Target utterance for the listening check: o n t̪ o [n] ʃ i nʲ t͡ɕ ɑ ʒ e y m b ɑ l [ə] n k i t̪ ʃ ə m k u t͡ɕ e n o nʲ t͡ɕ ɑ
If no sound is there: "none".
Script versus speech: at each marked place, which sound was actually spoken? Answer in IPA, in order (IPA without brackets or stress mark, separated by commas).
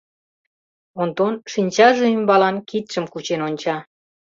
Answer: n, ɑ